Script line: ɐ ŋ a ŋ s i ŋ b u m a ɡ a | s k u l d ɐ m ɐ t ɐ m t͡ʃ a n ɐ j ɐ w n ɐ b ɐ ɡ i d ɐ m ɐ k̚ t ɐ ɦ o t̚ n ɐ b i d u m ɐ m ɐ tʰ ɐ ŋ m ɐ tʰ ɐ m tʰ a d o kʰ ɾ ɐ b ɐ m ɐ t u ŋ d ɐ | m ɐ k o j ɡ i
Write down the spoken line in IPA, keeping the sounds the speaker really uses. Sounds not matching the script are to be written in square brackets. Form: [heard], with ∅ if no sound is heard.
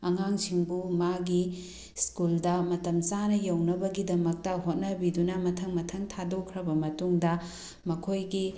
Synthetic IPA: ɐ ŋ a ŋ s i ŋ b u m a ɡ [i] | s k u l d ɐ m ɐ t ɐ m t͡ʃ a n ɐ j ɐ w n ɐ b ɐ ɡ i d ɐ m ɐ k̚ t ɐ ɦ o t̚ n ɐ b i d u [n] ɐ m ɐ tʰ ɐ ŋ m ɐ tʰ ɐ [ŋ] tʰ a d o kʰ ɾ ɐ b ɐ m ɐ t u ŋ d ɐ | m ɐ [kʰ] o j ɡ i